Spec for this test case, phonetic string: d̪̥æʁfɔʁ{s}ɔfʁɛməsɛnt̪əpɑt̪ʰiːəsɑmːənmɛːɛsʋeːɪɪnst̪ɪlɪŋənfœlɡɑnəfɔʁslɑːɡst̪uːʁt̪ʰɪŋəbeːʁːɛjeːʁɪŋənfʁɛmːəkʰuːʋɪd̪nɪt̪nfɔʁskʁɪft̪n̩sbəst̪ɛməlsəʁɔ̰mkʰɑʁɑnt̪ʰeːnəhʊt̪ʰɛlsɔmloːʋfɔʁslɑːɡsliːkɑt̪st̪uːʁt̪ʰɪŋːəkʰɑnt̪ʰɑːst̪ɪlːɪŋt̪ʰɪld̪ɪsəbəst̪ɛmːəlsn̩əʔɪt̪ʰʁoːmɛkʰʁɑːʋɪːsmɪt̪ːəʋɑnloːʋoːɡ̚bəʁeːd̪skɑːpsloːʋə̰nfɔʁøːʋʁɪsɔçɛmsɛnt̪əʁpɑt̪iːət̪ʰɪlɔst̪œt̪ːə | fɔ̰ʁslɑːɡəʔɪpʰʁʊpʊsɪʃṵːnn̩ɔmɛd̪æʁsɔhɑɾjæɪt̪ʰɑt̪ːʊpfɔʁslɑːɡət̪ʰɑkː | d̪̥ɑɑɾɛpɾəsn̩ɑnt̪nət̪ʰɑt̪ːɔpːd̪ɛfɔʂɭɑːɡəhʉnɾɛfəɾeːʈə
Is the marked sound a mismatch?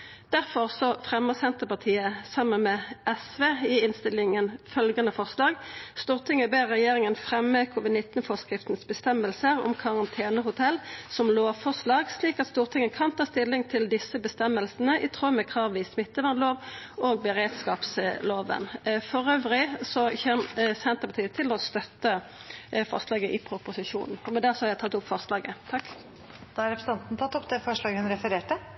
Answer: no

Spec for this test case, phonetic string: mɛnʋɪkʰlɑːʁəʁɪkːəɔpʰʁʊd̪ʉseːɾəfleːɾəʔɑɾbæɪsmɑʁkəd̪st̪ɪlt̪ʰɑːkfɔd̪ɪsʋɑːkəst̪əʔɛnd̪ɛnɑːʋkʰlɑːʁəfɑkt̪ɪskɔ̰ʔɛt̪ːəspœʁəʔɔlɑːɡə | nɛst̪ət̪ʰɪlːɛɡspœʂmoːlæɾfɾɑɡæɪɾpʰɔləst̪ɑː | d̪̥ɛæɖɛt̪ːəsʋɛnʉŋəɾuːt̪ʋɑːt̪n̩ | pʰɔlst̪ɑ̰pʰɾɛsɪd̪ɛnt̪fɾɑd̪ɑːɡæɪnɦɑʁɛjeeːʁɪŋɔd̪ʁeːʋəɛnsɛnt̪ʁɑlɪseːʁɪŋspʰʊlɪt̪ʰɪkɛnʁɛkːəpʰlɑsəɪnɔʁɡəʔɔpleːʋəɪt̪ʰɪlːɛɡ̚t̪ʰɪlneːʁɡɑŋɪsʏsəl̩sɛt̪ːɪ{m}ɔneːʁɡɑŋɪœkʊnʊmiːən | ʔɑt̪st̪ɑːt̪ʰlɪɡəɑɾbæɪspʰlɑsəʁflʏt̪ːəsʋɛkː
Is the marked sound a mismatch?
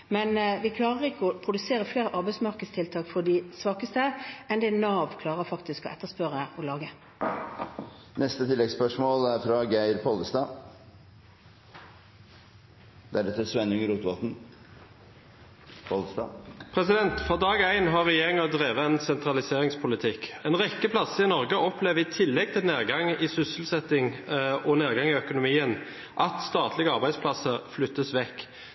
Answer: yes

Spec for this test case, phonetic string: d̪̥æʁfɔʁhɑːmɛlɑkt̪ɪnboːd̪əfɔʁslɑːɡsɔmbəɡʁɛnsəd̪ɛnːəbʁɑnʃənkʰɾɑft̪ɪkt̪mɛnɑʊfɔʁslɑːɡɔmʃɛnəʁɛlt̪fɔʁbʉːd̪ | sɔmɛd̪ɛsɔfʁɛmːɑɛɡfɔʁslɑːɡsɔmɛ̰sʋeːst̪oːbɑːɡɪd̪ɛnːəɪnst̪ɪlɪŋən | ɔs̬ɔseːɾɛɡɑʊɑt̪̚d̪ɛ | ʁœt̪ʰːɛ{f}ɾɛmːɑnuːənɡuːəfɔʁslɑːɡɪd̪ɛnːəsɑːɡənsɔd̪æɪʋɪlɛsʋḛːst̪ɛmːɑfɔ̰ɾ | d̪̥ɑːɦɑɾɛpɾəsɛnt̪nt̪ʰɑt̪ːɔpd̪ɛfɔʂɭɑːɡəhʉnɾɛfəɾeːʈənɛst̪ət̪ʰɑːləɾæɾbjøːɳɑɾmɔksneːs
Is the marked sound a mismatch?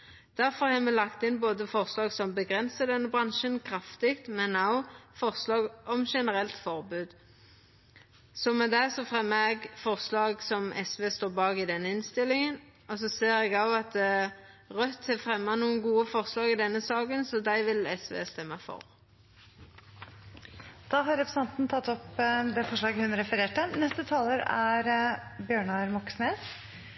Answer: no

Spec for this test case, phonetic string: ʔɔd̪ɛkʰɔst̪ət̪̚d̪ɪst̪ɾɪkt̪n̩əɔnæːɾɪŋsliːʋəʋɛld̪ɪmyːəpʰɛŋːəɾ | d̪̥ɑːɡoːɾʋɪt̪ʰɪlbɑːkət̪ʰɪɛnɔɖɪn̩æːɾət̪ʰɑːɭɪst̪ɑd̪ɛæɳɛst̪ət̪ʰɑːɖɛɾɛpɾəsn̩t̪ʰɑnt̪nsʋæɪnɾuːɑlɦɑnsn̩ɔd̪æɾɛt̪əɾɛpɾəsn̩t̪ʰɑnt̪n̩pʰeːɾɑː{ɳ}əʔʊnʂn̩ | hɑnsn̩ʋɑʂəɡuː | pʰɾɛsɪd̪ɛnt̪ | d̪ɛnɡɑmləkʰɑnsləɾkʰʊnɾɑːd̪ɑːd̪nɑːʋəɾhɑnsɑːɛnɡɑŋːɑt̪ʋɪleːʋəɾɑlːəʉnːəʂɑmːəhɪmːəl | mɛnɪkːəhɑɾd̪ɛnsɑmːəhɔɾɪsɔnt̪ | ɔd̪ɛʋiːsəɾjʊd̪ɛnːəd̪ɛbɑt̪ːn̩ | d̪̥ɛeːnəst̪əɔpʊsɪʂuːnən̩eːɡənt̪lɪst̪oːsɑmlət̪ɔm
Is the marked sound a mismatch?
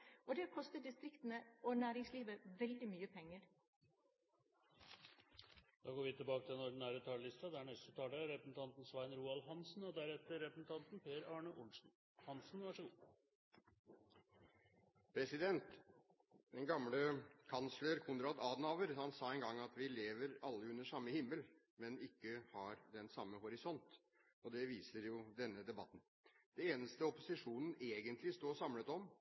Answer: no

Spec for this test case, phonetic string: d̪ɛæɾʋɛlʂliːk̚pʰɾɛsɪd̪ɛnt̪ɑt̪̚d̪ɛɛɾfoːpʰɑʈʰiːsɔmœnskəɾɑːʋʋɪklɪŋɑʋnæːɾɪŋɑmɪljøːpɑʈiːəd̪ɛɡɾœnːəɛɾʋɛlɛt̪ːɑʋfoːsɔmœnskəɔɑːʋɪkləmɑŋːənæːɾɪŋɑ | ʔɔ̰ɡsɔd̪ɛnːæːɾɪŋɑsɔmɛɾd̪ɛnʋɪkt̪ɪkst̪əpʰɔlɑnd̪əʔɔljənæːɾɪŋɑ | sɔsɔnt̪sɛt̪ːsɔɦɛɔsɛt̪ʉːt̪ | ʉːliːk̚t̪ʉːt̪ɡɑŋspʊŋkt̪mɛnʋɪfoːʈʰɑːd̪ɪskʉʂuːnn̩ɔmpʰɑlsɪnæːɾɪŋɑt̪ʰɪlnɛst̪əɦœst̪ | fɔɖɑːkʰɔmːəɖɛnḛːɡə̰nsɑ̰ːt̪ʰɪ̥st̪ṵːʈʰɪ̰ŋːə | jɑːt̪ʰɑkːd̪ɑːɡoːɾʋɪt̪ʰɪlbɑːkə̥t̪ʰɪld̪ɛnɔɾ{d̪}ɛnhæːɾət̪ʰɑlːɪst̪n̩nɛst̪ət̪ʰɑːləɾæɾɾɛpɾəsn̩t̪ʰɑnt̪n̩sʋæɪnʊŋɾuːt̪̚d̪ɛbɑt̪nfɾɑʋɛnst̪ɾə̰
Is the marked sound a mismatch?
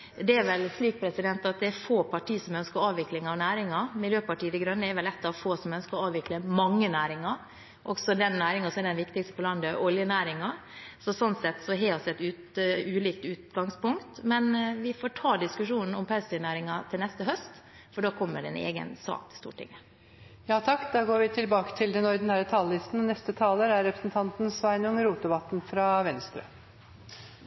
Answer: no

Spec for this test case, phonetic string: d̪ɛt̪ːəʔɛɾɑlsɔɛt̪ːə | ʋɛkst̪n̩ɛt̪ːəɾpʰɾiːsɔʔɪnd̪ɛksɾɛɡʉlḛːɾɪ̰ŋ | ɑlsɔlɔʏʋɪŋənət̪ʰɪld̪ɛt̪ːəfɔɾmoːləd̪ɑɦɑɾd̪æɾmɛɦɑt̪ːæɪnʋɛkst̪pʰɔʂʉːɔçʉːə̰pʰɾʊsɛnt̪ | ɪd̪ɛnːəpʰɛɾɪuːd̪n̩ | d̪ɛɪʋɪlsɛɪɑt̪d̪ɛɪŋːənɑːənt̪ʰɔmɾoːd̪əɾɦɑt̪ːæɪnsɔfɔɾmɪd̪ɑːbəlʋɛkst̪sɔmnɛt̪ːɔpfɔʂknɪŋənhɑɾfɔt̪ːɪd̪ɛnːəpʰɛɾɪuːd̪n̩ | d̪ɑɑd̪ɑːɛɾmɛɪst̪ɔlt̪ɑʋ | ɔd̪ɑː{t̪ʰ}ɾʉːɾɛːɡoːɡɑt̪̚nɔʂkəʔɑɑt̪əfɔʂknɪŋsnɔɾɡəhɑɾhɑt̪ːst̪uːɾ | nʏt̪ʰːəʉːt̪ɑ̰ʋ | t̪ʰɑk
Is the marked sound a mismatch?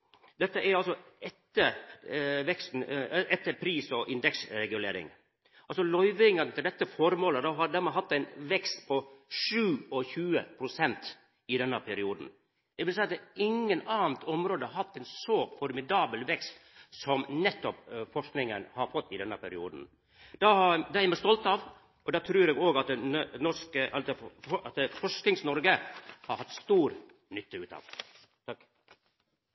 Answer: no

